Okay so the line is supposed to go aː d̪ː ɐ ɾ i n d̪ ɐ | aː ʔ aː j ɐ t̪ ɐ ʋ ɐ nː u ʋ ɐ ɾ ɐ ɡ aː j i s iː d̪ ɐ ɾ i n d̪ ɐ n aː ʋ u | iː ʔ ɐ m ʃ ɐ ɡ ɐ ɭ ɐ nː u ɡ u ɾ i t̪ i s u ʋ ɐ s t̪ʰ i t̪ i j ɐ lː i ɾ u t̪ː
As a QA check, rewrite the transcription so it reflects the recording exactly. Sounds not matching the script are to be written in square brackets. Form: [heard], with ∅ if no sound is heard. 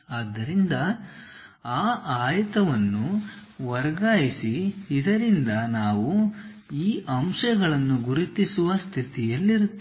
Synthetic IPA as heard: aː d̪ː ɐ ɾ i n d̪ ɐ | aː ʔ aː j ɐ t̪ ɐ ʋ ɐ nː u ʋ ɐ ɾ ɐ ɡ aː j i s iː d̪ ɐ ɾ i n d̪ ɐ n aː ʋ u | iː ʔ ɐ m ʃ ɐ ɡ ɐ ɭ ɐ nː u ɡ u ɾ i t̪ i s u ʋ ɐ s t̪ʰ i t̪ i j ɐ lː i ɾ u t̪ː

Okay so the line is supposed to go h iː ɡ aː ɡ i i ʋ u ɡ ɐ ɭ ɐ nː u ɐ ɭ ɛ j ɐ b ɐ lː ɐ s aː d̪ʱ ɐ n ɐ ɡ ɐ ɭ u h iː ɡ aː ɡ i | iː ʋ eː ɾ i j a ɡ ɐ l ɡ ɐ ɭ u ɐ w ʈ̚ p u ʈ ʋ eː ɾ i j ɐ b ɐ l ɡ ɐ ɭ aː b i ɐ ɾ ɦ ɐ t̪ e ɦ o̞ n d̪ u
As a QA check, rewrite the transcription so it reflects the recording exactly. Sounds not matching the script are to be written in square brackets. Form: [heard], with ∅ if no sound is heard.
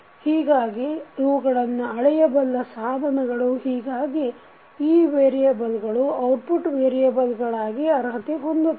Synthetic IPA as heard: h iː ɡ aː ɡ i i ʋ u ɡ ɐ ɭ ɐ nː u ɐ ɭ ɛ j ɐ b ɐ lː ɐ s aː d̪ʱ ɐ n ɐ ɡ ɐ ɭ u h iː ɡ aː ɡ i | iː ʋ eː ɾ i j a [b] ɐ l ɡ ɐ ɭ u ɐ w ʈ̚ p u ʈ ʋ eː ɾ i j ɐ b ɐ l ɡ ɐ ɭ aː [ɡ] i ɐ ɾ ɦ ɐ t̪ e ɦ o̞ n d̪ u

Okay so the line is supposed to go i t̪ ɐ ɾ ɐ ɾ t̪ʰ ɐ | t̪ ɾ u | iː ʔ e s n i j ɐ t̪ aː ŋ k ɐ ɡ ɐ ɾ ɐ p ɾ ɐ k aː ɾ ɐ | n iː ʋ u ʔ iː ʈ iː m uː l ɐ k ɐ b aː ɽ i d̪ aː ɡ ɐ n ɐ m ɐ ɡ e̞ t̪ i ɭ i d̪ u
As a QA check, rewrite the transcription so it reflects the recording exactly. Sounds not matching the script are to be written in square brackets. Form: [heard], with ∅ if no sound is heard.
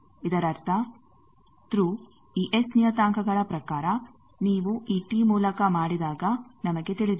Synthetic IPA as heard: i [d̪] ɐ ɾ ɐ ɾ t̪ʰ ɐ | t̪ ɾ u | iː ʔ e s n i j ɐ t̪ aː ŋ k ɐ ɡ ɐ [ɭ] ɐ p ɾ ɐ k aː ɾ ɐ | n iː ʋ u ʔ iː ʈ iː m uː l ɐ k ɐ [m] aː ɽ i d̪ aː ɡ ɐ n ɐ m ɐ ɡ e̞ t̪ i ɭ i d̪ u

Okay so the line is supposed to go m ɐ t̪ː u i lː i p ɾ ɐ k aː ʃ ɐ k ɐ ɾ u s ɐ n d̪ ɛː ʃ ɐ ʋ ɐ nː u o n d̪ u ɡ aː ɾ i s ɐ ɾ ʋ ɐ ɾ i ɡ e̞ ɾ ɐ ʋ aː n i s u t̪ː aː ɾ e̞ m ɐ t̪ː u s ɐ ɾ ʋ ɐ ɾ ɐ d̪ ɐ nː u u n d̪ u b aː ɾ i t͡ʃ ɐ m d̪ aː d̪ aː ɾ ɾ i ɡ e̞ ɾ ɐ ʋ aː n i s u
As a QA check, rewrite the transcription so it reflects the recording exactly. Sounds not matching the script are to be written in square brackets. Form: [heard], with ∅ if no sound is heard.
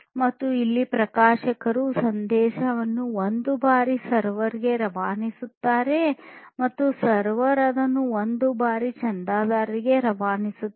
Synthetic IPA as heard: m ɐ t̪ː u i lː i p ɾ ɐ k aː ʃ ɐ k ɐ ɾ u s ɐ n d̪ ɛː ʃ ɐ ʋ ɐ nː u o n d̪ u [b] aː ɾ i s ɐ ɾ ʋ ɐ ɾ i ɡ e̞ ɾ ɐ ʋ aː n i s u t̪ː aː ɾ e̞ m ɐ t̪ː u s ɐ ɾ ʋ ɐ ɾ ɐ d̪ ɐ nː u [o] n d̪ u b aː ɾ i t͡ʃ ɐ [n] d̪ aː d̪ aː ɾ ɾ i ɡ e̞ ɾ ɐ ʋ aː n i s u

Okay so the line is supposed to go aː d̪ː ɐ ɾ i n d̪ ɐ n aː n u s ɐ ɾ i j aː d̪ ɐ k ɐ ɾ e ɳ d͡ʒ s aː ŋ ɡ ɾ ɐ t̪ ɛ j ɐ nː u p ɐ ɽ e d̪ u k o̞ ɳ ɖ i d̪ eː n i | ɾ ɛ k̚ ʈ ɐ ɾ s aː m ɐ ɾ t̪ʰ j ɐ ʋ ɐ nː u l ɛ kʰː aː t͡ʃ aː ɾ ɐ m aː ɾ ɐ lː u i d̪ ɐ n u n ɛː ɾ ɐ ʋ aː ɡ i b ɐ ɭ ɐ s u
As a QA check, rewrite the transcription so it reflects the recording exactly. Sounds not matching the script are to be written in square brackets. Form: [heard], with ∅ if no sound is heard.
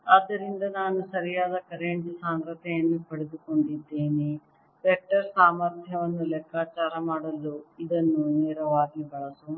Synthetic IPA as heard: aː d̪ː ɐ ɾ i n d̪ ɐ n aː n u s ɐ ɾ i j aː d̪ ɐ k ɐ ɾ e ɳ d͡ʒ s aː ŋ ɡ ɾ ɐ t̪ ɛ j ɐ nː u p ɐ ɽ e d̪ u k o̞ ɳ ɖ i [d̪ː] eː n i | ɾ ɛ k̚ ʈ ɐ ɾ s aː m ɐ ɾ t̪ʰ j ɐ ʋ ɐ nː u l ɛ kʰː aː t͡ʃ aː ɾ ɐ m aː [ɽ] ɐ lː u i d̪ ɐ [nː] u n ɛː ɾ ɐ ʋ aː ɡ i b ɐ ɭ ɐ s u

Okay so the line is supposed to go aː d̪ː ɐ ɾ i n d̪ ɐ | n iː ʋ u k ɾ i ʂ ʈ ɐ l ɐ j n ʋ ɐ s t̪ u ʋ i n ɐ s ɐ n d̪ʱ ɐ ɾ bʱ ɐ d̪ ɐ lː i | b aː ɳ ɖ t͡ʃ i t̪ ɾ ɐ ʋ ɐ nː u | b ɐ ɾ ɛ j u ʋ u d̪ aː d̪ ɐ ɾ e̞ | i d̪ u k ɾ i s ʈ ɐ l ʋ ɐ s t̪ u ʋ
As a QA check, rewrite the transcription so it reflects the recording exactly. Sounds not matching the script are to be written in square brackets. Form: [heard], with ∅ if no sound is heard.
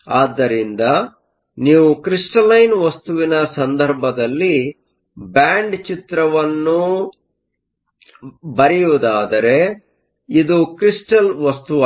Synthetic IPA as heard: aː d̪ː ɐ ɾ i n d̪ ɐ | n iː ʋ u k ɾ i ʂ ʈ ɐ l ɐ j n ʋ ɐ s t̪ u ʋ i n ɐ s ɐ n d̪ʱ ɐ ɾ bʱ ɐ d̪ ɐ lː i | b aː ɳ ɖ t͡ʃ i t̪ ɾ ɐ ʋ ɐ nː u | b ɐ ɾ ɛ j u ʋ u d̪ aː d̪ ɐ ɾ e̞ | i d̪ u k ɾ i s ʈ ɐ l ʋ ɐ s t̪ u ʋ

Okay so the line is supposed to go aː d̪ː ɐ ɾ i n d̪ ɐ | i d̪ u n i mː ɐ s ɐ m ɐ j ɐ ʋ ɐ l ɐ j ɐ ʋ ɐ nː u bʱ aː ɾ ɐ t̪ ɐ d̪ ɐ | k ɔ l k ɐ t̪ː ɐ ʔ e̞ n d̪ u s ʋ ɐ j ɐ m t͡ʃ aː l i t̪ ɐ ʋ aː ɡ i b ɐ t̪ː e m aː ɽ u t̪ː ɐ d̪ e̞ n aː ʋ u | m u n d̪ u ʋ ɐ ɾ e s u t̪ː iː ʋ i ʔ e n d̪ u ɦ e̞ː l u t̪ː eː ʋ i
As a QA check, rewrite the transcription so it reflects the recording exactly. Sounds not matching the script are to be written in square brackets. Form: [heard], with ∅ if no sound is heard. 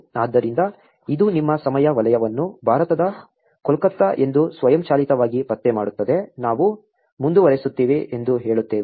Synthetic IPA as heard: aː d̪ː ɐ ɾ i n d̪ ɐ | i d̪ u n i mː ɐ s ɐ m ɐ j ɐ ʋ ɐ l ɐ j ɐ ʋ ɐ nː u bʱ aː ɾ ɐ t̪ ɐ d̪ ɐ | k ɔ l k ɐ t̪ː ɐ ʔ e̞ n d̪ u s ʋ ɐ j ɐ m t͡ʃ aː l i t̪ ɐ ʋ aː ɡ i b ɐ t̪ː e m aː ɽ u t̪ː ɐ d̪ e̞ n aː ʋ u | m u n d̪ u ʋ ɐ ɾ e s u t̪ː iː ʋ i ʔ e n d̪ u ɦ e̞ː [ɭ] u t̪ː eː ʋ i

